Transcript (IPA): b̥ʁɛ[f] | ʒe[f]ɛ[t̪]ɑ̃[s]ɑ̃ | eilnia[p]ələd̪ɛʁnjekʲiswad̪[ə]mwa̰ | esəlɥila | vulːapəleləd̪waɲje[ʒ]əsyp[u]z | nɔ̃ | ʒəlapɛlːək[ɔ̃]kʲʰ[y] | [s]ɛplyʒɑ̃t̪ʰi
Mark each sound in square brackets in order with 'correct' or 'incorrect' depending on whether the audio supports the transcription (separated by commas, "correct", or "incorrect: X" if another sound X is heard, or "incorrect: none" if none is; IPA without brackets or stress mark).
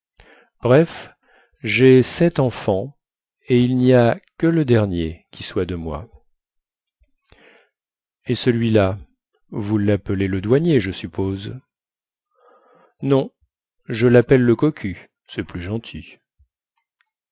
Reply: correct, incorrect: s, correct, incorrect: f, incorrect: k, correct, correct, incorrect: o, incorrect: ɔ, correct, correct